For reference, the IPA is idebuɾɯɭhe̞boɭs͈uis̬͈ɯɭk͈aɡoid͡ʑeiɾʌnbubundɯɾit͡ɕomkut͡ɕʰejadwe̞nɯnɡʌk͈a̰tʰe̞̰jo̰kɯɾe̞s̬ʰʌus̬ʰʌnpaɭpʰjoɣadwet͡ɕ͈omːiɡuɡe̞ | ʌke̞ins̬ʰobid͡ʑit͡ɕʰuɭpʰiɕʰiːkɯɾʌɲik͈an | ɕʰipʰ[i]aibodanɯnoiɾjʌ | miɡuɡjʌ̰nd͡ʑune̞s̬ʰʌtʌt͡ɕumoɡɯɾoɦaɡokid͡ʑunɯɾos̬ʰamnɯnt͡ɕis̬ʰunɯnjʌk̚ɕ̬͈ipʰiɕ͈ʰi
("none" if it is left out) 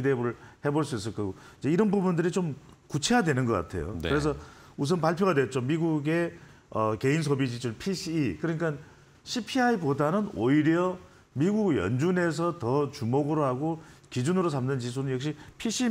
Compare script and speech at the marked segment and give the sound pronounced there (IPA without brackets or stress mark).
i